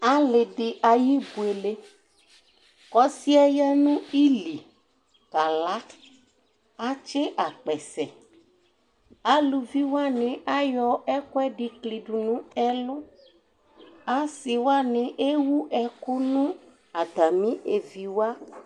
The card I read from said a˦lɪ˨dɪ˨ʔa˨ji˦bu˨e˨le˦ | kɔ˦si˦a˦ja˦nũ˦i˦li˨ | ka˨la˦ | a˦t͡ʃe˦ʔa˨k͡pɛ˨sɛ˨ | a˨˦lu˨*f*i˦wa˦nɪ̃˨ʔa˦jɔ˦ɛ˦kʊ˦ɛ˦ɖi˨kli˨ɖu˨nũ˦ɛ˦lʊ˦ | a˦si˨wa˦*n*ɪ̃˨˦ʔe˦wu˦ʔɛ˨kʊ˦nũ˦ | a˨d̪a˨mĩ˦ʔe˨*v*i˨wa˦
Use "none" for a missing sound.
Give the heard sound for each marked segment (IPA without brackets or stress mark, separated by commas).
v, n, v